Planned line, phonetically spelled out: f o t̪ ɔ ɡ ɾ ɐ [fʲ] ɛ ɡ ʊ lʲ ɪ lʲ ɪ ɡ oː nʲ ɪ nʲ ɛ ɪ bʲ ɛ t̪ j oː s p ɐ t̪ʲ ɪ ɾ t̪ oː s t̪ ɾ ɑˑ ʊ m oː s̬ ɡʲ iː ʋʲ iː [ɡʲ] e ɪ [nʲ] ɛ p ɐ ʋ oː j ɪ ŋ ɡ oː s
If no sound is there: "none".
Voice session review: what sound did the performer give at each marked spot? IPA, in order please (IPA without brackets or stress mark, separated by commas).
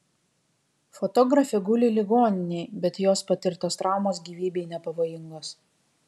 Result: fʲ, bʲ, nʲ